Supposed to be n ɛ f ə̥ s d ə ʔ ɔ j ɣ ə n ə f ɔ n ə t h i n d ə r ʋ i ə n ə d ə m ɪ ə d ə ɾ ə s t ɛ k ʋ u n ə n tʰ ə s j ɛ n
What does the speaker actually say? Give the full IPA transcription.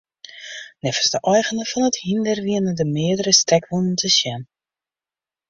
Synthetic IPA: n ɛ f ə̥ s d ə ʔ ɔ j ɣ ə n ə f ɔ n ə t h i n d ə r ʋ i ə n ə d ə m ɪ ə d ə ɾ ə s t ɛ k ʋ u n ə n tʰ ə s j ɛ n